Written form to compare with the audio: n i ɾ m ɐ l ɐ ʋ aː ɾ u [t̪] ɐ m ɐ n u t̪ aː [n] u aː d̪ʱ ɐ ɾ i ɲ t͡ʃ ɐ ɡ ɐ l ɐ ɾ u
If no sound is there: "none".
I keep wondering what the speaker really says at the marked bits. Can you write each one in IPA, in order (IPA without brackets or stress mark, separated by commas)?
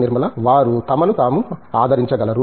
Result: t̪, m